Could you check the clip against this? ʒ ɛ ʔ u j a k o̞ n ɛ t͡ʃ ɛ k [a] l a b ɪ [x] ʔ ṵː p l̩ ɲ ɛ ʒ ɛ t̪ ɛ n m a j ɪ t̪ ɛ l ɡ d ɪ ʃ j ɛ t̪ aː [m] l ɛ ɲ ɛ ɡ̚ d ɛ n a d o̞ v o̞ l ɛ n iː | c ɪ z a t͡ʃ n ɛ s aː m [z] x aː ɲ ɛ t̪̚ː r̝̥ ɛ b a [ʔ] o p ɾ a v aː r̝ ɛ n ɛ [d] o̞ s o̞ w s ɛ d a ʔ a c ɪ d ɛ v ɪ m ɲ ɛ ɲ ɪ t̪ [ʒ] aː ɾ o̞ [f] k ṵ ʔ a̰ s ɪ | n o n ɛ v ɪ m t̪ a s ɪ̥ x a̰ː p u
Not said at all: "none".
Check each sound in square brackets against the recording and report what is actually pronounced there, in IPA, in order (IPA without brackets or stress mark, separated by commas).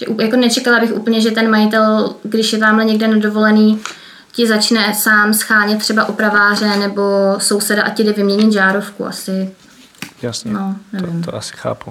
a, x, m, s, ʔ, b, ʒ, f